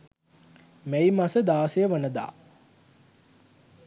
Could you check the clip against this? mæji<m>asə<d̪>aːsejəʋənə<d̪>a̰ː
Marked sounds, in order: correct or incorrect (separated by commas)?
correct, correct, correct